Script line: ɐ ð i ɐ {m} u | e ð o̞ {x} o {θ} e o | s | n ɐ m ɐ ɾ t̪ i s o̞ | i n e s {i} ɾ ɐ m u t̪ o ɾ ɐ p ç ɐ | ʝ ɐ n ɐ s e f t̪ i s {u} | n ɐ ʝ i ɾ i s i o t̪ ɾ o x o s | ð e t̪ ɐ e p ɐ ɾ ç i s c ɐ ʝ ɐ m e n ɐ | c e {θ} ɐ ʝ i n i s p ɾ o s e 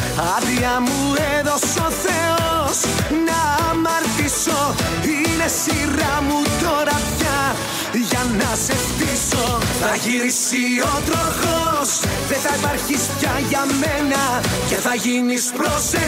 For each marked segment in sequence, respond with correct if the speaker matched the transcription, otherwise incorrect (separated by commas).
correct, incorrect, correct, correct, incorrect, correct